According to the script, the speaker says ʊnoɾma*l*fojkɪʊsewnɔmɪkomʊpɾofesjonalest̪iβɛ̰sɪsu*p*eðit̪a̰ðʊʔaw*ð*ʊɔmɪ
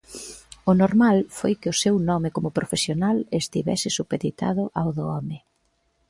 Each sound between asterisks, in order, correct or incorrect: correct, correct, correct

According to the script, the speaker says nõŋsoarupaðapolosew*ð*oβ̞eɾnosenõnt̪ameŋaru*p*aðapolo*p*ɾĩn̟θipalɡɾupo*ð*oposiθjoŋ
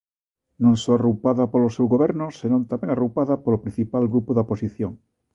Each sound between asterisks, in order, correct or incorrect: incorrect: ɣ, correct, correct, correct

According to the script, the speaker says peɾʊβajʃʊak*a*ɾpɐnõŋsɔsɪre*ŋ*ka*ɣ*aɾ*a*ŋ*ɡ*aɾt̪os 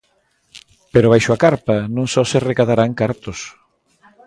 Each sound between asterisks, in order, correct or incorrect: correct, incorrect: none, incorrect: ð, correct, incorrect: k

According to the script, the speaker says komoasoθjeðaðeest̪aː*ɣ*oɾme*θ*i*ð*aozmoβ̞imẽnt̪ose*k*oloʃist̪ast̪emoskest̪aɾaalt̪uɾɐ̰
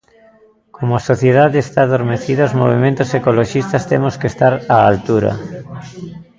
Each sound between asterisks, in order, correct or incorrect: incorrect: ð, correct, correct, correct

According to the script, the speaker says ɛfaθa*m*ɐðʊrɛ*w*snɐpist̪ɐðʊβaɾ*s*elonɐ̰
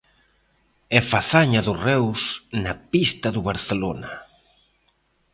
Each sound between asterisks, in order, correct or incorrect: incorrect: ɲ, correct, incorrect: θ

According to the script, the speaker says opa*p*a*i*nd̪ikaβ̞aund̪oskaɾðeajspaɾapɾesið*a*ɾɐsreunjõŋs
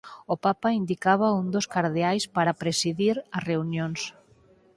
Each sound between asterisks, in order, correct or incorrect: correct, correct, incorrect: i

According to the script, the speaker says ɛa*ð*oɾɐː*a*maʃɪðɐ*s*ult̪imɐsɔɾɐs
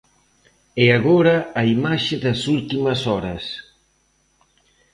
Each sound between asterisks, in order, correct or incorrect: incorrect: ɣ, incorrect: i, correct

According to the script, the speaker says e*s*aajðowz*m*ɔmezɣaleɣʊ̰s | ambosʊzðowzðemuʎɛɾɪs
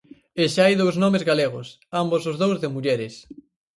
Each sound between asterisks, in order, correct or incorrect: incorrect: ʃ, incorrect: n

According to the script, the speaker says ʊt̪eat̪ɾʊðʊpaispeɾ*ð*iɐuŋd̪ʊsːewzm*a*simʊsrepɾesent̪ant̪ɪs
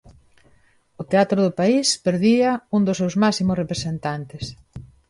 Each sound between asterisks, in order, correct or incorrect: correct, correct

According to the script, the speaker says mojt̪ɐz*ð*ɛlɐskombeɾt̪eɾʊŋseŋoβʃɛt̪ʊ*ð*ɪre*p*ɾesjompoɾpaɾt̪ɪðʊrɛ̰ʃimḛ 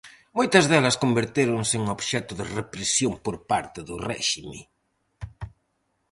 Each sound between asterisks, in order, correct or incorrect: correct, correct, correct

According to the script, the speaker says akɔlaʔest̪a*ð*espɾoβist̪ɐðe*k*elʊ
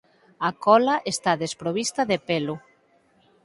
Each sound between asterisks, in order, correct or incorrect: correct, incorrect: p

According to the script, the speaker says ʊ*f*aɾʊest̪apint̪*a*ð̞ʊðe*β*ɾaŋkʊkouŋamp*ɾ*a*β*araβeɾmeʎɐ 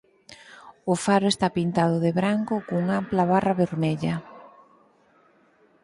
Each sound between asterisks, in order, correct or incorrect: correct, correct, correct, incorrect: l, correct

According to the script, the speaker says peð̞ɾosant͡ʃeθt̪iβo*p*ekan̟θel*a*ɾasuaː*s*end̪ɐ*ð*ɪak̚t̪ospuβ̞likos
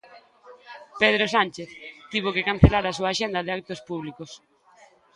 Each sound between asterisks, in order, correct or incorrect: incorrect: k, correct, incorrect: ʃ, correct

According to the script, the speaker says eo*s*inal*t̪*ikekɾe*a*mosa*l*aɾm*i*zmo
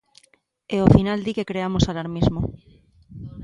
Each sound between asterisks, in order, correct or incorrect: incorrect: f, incorrect: d̪, correct, correct, correct

